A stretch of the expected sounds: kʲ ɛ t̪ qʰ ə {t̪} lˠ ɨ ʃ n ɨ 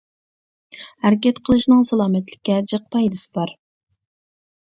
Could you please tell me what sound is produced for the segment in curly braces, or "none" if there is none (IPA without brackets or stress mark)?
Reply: none